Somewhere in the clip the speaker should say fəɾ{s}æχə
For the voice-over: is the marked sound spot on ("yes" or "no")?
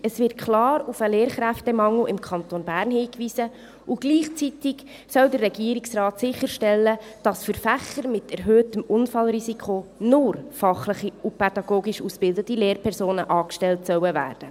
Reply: no